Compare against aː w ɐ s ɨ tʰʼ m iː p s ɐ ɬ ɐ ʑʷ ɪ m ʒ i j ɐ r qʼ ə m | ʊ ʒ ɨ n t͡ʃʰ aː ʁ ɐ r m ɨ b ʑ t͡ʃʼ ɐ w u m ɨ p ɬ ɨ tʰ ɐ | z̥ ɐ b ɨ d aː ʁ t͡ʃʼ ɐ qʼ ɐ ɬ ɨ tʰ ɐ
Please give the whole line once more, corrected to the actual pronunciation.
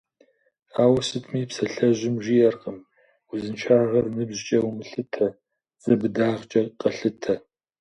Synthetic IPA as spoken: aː w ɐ s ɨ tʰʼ m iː p s ɐ ɬ ɐ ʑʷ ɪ m ʒ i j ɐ r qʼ ə m | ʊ z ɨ n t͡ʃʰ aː ʁ ɐ r n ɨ b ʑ t͡ʃʼ ɐ w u m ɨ ɬ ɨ tʰ ɐ | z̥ ɐ b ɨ d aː ʁ t͡ʃʼ ɐ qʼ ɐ ɬ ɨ tʰ ɐ

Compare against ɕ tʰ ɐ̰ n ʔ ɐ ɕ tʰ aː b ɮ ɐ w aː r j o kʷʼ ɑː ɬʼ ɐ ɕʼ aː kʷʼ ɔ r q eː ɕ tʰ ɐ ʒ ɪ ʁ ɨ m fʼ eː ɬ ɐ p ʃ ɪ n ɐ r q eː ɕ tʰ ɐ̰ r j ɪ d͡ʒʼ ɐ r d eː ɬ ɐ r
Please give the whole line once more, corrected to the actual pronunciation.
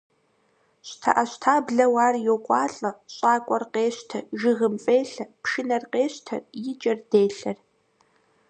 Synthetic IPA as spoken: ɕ tʰ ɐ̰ ʔ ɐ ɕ tʰ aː b ɮ ɐ w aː r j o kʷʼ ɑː ɬʼ ɐ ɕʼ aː kʷʼ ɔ r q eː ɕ tʰ ɐ ʒ ɪ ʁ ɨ m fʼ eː ɬ ɐ p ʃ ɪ n ɐ r q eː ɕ tʰ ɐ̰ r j ɪ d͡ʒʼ ɐ r d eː ɬ ɐ r

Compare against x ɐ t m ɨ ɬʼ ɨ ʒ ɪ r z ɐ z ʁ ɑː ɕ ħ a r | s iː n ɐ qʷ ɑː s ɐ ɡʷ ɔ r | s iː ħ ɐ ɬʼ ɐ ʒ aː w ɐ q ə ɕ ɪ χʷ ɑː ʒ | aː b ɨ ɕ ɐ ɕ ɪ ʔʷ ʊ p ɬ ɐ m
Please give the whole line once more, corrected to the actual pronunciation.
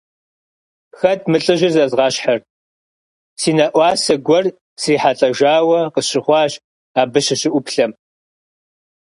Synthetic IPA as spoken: x ɐ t m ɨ ɬʼ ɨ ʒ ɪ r z ɐ z ʁ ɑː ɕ ħ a r | s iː n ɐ ʔʷ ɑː s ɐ ɡʷ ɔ r | s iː ħ a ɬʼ ɐ ʒ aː w ɐ q ə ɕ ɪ χʷ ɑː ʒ | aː b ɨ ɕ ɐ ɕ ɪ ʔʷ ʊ p ɬ ɐ m

